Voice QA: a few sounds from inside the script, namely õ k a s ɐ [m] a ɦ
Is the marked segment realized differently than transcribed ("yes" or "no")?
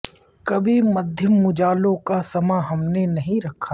no